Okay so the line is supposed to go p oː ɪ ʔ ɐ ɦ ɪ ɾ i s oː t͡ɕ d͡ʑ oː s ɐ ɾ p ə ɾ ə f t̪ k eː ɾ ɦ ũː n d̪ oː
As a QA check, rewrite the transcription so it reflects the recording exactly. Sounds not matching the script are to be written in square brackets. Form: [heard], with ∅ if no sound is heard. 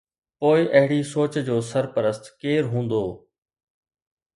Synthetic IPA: p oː ɪ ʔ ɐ ɦ ɪ [ɽ] i s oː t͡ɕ d͡ʑ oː s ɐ ɾ p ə ɾ ə [s] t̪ k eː ɾ ɦ ũː n d̪ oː